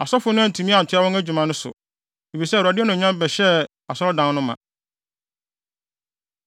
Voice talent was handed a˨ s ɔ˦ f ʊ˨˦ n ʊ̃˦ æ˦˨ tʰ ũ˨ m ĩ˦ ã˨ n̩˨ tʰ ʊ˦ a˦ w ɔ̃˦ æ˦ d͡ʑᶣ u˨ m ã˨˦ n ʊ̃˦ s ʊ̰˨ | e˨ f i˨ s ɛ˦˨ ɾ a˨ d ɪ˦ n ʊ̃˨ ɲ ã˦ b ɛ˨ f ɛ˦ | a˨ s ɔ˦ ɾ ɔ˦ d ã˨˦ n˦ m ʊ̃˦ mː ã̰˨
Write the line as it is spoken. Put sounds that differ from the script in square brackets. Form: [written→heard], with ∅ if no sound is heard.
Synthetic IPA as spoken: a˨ s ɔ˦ f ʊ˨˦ n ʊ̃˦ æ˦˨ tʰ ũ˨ m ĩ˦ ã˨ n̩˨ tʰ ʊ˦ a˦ w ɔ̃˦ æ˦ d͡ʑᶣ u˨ m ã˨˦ n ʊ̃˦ s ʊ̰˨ | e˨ f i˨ s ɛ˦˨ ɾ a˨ d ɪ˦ n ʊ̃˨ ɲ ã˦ b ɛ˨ [f→ɕ] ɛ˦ | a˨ s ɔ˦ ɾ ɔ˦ d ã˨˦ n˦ [m→n] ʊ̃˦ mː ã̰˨

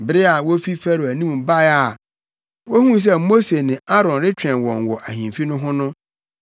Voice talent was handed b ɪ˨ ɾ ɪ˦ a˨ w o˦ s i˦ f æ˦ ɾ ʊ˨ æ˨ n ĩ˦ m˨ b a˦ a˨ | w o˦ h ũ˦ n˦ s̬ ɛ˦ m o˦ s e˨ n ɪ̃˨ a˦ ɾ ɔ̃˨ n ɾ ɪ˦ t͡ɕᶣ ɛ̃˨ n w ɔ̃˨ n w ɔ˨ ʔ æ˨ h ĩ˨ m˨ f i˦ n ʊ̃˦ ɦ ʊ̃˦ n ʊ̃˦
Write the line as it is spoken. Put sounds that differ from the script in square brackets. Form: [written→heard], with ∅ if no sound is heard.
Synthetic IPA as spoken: b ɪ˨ ɾ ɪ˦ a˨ w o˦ [s→f] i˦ f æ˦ ɾ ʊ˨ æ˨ n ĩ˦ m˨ b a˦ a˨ | w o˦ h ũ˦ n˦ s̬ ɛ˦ m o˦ s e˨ n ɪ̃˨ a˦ ɾ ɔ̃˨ n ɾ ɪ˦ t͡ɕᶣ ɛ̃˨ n w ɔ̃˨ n w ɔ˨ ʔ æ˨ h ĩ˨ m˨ f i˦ n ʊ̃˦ ɦ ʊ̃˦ n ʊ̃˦

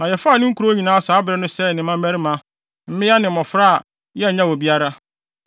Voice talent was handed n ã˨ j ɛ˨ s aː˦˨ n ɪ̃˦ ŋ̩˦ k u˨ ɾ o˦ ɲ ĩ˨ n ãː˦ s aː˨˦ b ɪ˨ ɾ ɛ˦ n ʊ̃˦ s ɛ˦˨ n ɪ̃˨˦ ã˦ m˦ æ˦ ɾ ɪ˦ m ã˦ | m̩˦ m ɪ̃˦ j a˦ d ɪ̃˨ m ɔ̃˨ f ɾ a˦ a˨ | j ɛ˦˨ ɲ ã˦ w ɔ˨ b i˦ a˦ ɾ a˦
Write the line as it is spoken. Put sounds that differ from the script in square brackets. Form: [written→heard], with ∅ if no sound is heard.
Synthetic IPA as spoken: n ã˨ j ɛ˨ [s→f] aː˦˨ n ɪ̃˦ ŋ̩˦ k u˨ ɾ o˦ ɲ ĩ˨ n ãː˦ s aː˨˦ b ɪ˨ ɾ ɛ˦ n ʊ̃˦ s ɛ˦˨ n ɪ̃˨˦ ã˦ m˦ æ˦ ɾ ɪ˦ m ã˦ | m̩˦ m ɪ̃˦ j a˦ [d→n] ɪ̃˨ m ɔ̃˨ f ɾ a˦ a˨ | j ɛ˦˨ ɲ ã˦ w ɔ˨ b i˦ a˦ ɾ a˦

